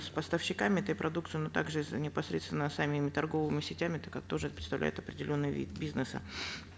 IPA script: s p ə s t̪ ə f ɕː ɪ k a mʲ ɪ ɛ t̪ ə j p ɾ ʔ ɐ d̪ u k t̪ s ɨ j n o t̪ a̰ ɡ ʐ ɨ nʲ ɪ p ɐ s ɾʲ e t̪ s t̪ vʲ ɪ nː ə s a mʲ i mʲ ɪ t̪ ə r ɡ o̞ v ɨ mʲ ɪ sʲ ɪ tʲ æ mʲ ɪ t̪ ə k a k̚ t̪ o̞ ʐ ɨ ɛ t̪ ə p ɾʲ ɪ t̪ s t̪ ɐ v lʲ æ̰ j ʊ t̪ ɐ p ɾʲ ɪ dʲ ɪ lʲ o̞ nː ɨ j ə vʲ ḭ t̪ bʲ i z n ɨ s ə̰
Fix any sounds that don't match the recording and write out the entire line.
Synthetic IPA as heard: s p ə s t̪ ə f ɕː ɪ k a mʲ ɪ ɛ t̪ ə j p ɾ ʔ ɐ d̪ u k t̪ s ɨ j n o t̪ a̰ ɡ ʐ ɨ nʲ ɪ p ɐ s ɾʲ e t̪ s t̪ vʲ ɪ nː ə s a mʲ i mʲ ɪ t̪ ɐ r ɡ o̞ v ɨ mʲ ɪ sʲ ɪ tʲ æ mʲ ɪ t̪ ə k a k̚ t̪ o̞ ʐ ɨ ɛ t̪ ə p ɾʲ ɪ t̪ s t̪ ɐ v lʲ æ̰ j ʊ t̪ ɐ p ɾʲ ɪ dʲ ɪ lʲ o̞ nː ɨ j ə vʲ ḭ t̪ bʲ i z n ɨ s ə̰